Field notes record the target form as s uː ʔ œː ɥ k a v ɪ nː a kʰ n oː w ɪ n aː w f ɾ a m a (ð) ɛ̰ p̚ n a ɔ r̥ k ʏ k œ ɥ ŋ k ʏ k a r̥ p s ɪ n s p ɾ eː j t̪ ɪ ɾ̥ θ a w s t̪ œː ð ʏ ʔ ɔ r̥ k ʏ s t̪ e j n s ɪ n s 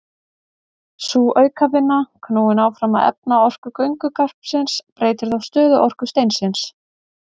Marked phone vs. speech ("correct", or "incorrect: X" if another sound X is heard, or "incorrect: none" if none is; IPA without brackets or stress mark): correct